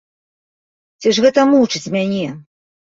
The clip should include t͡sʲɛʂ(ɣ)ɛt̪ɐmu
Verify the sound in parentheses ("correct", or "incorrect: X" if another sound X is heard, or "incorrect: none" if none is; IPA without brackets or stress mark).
correct